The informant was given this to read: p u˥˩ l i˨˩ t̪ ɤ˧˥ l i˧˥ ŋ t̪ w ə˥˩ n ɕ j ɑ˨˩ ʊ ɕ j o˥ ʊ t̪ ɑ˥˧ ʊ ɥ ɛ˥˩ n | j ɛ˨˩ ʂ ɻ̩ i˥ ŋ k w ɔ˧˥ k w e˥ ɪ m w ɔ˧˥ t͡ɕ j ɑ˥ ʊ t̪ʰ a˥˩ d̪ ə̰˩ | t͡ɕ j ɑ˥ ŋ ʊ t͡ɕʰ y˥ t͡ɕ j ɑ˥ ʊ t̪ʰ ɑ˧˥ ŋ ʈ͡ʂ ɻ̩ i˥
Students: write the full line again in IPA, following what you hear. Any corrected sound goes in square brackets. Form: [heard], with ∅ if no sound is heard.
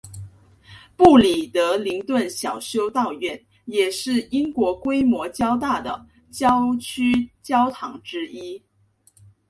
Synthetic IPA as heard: p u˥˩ l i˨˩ t̪ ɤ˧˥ l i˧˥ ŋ t̪ w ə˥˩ n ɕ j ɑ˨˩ ʊ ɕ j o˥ ʊ t̪ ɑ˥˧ ʊ ɥ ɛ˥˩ n | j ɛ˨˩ ʂ ɻ̩ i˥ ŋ k w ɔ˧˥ k w e˥ ɪ m w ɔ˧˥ t͡ɕ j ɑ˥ ʊ [t̪] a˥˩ d̪ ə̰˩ | t͡ɕ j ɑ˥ [∅] ʊ t͡ɕʰ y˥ t͡ɕ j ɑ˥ ʊ t̪ʰ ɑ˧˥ ŋ ʈ͡ʂ ɻ̩ i˥